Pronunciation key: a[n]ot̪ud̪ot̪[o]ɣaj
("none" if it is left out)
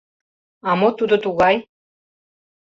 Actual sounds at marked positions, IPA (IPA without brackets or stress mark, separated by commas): m, u